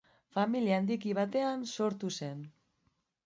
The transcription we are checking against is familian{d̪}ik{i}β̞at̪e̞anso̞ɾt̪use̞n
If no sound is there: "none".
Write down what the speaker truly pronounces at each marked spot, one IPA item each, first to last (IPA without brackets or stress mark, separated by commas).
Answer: d̪, i